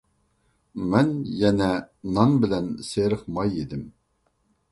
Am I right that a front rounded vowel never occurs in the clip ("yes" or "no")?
yes